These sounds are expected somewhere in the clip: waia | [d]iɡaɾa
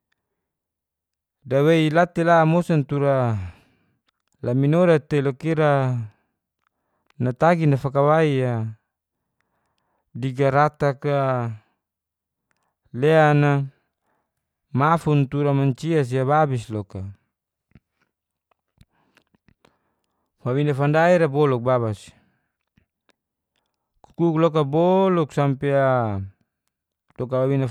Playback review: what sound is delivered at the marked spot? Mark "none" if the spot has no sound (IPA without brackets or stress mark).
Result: d